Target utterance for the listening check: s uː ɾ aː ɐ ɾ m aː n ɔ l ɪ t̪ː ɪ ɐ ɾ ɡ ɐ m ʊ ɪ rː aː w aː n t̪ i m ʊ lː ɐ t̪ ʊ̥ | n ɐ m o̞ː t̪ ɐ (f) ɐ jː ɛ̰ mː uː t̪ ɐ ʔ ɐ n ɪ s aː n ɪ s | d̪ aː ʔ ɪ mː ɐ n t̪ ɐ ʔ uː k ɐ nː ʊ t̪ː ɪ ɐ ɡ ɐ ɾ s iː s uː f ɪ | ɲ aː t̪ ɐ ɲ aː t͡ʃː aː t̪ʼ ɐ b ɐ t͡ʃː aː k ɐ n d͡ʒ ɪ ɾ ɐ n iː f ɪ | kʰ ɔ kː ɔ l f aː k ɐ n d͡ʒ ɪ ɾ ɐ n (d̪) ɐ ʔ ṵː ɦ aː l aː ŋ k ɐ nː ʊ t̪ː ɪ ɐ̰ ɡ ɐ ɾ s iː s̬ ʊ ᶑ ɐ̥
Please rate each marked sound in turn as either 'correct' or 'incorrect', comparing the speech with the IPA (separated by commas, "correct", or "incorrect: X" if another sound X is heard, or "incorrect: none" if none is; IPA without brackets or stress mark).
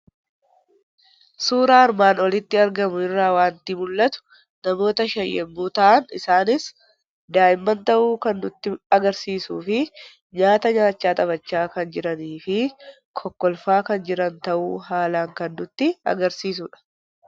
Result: incorrect: ʃ, incorrect: t̪